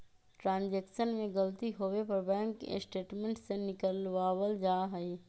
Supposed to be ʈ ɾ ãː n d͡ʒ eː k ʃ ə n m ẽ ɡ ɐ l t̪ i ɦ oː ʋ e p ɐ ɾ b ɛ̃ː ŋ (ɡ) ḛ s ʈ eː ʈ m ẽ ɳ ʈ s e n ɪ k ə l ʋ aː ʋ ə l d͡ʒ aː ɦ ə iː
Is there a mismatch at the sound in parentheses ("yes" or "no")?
yes